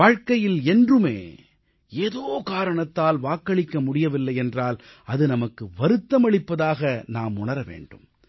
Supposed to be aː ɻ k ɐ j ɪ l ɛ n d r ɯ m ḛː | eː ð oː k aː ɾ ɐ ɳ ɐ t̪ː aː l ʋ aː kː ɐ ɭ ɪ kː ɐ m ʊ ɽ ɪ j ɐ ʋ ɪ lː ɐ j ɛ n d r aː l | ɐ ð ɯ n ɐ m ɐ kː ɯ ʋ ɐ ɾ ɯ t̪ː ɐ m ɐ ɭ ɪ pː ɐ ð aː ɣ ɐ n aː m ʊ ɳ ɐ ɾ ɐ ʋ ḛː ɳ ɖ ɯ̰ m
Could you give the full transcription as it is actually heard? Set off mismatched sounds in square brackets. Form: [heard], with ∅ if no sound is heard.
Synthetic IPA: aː ɻ k ɐ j ɪ l ɛ n d r ɯ m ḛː | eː ð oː k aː ɾ ɐ ɳ ɐ t̪ː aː l ʋ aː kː ɐ ɭ ɪ kː ɐ m ʊ ɽ ɪ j ɐ ʋ ɪ lː ɐ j ɛ n d r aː l | ɐ ð ɯ n ɐ m ɐ kː ɯ ʋ ɐ ɾ ɯ t̪ː ɐ m ɐ ɭ ɪ pː ɐ ð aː ɣ ɐ n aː m ʊ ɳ ɐ ɾ ɐ ʋ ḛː ɳ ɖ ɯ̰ m

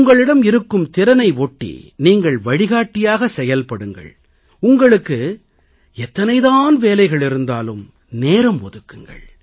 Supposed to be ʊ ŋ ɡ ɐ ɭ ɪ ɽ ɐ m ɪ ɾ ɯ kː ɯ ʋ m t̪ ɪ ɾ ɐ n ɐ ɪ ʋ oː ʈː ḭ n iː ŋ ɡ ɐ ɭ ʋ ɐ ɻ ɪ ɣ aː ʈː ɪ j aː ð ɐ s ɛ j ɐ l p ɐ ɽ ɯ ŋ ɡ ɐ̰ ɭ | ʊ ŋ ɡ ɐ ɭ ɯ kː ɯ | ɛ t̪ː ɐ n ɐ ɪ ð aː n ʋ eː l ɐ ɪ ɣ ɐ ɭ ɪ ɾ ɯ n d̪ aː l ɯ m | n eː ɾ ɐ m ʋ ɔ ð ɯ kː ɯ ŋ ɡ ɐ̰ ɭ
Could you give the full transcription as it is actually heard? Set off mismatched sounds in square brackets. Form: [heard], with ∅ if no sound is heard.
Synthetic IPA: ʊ ŋ ɡ ɐ ɭ ɪ ɽ ɐ m ɪ ɾ ɯ kː ɯ [∅] m t̪ ɪ ɾ ɐ n ɐ ɪ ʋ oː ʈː ḭ n iː ŋ ɡ ɐ ɭ ʋ ɐ ɻ ɪ ɣ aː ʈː ɪ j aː [ɣ] ɐ s ɛ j ɐ l p ɐ ɽ ɯ ŋ ɡ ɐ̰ ɭ | ʊ ŋ ɡ ɐ ɭ ɯ kː ɯ | ɛ t̪ː ɐ n ɐ ɪ ð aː n ʋ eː l ɐ ɪ ɣ ɐ ɭ ɪ ɾ ɯ n d̪ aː l ɯ m | n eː ɾ ɐ m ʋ ɔ ð ɯ kː ɯ ŋ ɡ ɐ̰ ɭ

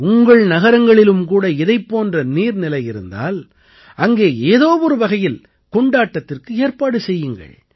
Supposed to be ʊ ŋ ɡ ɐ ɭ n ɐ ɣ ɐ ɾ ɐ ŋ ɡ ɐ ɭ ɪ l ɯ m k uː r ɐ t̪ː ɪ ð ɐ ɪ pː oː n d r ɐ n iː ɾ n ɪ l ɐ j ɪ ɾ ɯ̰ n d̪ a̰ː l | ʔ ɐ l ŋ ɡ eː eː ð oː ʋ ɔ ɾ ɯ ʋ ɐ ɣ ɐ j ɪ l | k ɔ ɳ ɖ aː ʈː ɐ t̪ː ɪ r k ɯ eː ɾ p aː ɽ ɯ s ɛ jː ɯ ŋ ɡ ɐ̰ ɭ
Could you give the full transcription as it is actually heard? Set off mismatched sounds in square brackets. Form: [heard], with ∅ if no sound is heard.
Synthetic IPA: ʊ ŋ ɡ ɐ ɭ n ɐ ɣ ɐ ɾ ɐ ŋ ɡ ɐ ɭ ɪ l ɯ m k uː [ɽ] ɐ [∅] ɪ ð ɐ ɪ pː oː n d r ɐ n iː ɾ n ɪ l ɐ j ɪ ɾ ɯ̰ n d̪ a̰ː l | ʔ ɐ [∅] ŋ ɡ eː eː ð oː ʋ ɔ ɾ ɯ ʋ ɐ ɣ ɐ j ɪ l | k ɔ ɳ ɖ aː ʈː ɐ t̪ː ɪ r k ɯ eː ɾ p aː ɽ ɯ s ɛ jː ɯ ŋ ɡ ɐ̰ ɭ

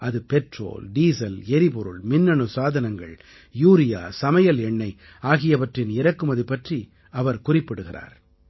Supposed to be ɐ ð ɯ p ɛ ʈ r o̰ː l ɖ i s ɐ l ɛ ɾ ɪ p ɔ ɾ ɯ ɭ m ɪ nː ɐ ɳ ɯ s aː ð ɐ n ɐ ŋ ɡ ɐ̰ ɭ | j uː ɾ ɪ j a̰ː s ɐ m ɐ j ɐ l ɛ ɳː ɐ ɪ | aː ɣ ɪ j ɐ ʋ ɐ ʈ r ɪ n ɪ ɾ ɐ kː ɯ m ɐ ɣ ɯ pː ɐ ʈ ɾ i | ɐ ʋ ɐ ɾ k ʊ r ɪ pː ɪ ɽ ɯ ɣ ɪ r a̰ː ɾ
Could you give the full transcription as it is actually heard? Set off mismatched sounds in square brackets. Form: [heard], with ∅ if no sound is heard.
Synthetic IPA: ɐ ð ɯ p ɛ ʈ r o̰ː l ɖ [iː] s ɐ l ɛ ɾ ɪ p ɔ ɾ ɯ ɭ m ɪ nː ɐ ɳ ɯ s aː ð ɐ n ɐ ŋ ɡ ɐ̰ ɭ | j uː ɾ ɪ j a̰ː s ɐ m ɐ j ɐ l ɛ ɳː ɐ ɪ | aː ɣ ɪ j ɐ ʋ ɐ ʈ r ɪ n ɪ ɾ ɐ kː ɯ m ɐ [ð] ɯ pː ɐ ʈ [r] i | ɐ ʋ ɐ ɾ k ʊ r ɪ pː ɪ ɽ ɯ ɣ ɪ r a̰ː ɾ

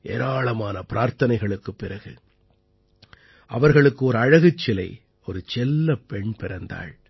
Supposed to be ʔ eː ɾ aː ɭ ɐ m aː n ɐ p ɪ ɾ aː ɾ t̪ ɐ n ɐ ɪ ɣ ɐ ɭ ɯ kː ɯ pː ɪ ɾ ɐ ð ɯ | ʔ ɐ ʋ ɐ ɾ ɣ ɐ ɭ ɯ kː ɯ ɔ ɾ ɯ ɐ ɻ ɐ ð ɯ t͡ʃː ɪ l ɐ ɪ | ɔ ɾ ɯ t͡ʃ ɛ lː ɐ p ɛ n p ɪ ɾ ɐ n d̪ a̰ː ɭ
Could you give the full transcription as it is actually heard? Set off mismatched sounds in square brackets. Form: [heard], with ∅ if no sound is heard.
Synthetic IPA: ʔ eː ɾ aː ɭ ɐ m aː n ɐ p ɪ ɾ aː ɾ t̪ ɐ n ɐ ɪ ɣ ɐ ɭ ɯ kː ɯ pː ɪ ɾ ɐ [ɣ] ɯ | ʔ ɐ ʋ ɐ ɾ ɣ ɐ ɭ ɯ kː ɯ ɔ ɾ ɯ ɐ ɻ ɐ [ɣ] ɯ t͡ʃː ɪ l ɐ ɪ | ɔ ɾ ɯ t͡ʃ ɛ lː ɐ p ɛ [ɳ] p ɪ ɾ ɐ n d̪ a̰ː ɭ

